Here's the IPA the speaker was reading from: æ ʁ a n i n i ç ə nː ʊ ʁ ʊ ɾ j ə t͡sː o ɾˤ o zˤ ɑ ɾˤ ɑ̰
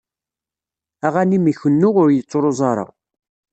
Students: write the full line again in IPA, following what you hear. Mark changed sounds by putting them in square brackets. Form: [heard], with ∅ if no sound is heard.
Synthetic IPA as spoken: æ ʁ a n i [m] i ç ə nː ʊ ʁ ʊ ɾ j ə t͡sː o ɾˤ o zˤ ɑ ɾˤ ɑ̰